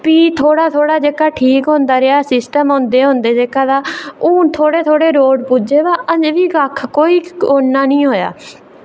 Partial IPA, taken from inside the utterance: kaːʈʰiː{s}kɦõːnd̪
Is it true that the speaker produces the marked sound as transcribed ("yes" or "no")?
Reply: no